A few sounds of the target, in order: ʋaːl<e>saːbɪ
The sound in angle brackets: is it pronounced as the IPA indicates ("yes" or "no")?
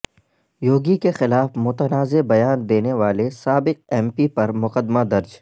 yes